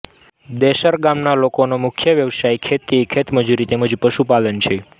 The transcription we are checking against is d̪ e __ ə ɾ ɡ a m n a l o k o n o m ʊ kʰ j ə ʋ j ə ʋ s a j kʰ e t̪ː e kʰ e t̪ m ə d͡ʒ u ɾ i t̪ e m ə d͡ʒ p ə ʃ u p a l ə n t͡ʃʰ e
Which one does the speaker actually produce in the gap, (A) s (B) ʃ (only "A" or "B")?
B